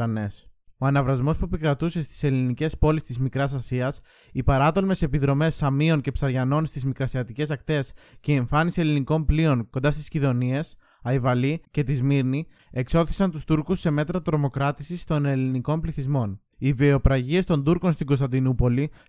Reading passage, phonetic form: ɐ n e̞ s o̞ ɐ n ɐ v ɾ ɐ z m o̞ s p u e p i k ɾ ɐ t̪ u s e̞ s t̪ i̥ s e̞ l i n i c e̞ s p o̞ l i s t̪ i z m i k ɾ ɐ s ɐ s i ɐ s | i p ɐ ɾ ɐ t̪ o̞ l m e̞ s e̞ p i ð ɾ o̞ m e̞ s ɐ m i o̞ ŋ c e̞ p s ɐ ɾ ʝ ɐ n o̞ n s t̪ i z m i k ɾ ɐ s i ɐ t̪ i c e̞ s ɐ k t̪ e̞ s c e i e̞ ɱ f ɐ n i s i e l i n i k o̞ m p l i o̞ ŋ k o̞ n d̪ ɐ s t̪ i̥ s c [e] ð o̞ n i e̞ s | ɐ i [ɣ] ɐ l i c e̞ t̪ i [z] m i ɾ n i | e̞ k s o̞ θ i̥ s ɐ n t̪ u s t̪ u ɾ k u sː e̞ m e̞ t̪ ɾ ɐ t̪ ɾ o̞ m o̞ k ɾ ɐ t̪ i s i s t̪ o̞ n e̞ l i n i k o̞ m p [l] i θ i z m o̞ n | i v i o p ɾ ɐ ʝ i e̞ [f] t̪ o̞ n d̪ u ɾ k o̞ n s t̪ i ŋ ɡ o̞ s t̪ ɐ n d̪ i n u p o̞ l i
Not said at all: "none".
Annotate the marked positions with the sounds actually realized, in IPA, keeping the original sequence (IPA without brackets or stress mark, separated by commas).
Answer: i, v, z, l, s